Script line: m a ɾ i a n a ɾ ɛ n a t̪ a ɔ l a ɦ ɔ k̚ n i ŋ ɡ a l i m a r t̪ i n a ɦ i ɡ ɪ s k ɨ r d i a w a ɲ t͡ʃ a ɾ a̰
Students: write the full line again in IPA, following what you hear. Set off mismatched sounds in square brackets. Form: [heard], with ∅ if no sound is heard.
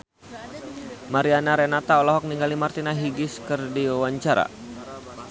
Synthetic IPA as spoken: m a ɾ i a n a ɾ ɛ n a t̪ a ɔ l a ɦ ɔ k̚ n i ŋ ɡ a l i m a r t̪ i n a ɦ i ɡ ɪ s k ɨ r d i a w a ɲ t͡ʃ a ɾ a̰